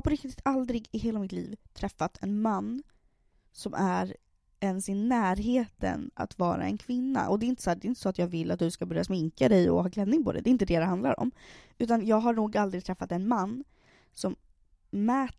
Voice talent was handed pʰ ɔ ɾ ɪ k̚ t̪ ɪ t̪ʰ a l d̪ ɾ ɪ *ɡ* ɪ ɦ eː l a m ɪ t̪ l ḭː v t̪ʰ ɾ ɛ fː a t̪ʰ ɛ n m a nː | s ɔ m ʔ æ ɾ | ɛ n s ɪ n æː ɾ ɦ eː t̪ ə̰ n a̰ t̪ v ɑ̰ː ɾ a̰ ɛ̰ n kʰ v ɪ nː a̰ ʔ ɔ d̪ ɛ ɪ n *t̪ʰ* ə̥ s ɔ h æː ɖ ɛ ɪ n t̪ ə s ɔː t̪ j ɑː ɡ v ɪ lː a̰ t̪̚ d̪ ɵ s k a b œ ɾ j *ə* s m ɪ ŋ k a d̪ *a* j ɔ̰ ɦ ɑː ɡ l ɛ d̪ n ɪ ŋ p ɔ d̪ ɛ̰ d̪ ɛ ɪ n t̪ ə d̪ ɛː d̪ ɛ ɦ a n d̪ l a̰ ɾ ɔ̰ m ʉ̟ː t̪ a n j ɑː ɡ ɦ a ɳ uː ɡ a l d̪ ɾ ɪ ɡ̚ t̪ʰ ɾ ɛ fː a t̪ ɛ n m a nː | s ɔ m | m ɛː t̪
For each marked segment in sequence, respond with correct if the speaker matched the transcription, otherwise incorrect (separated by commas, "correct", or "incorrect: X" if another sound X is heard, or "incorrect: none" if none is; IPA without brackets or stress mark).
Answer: correct, incorrect: t̪, incorrect: a, incorrect: ɛ